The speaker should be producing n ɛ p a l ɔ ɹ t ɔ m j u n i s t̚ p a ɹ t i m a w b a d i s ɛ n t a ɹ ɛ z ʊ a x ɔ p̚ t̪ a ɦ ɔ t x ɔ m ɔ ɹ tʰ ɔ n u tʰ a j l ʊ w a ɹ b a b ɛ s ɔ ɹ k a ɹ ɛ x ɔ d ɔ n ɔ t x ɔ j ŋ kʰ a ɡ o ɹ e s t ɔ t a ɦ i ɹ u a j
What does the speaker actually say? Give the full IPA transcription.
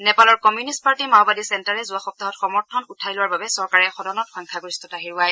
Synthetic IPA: n ɛ p a l ɔ ɹ k ɔ m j u n i s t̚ p a ɹ t i m a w b a d i s ɛ n t a ɹ ɛ z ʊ a x ɔ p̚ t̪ a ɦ ɔ t x ɔ m ɔ ɹ tʰ ɔ n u tʰ a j l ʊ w a ɹ b a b ɛ s ɔ ɹ k a ɹ ɛ x ɔ d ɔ n ɔ t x ɔ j ŋ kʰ a ɡ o ɹ i s t ɔ t a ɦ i ɹ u a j